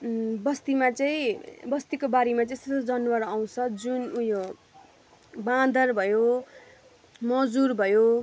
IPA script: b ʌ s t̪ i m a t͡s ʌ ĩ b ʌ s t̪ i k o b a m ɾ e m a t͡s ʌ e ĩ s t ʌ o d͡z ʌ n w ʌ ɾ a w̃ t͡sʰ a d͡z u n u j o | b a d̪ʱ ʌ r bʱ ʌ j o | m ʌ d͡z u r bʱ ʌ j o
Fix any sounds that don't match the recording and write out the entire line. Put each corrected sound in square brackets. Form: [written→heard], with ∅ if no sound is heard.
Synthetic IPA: b ʌ s t̪ i m a t͡s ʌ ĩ b ʌ s t̪ i k o b a [m→∅] ɾ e m a t͡s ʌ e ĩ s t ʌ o d͡z ʌ n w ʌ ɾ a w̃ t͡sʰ [a→ʌ] d͡z u n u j o | b a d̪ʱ ʌ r bʱ ʌ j o | m ʌ d͡z u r bʱ ʌ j o